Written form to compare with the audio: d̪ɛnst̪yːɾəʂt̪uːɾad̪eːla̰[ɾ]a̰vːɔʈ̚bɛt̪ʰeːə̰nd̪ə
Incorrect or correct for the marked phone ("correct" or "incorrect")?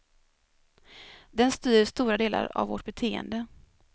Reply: correct